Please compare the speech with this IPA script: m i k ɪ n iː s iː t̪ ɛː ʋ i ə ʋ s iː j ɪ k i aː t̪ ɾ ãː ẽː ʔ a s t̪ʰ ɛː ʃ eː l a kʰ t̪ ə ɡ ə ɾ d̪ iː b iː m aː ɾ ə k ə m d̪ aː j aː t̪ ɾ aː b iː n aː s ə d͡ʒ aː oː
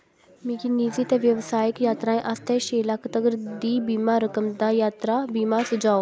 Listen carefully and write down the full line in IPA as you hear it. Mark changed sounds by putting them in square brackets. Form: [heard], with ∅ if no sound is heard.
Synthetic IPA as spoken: m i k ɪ n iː [z] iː t̪ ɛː ʋ [j] ə ʋ s [aː] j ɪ k [j] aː t̪ ɾ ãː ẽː ʔ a s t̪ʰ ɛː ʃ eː l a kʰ t̪ ə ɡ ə ɾ d̪ iː b iː m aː ɾ ə k ə m d̪ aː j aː t̪ ɾ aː b iː [m] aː s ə d͡ʒ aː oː